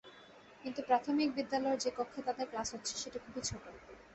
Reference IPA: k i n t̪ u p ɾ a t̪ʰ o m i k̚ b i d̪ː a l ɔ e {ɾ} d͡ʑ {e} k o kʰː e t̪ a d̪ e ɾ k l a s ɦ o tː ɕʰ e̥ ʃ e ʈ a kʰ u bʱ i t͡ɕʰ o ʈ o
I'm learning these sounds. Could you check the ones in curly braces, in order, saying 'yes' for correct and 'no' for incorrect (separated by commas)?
yes, yes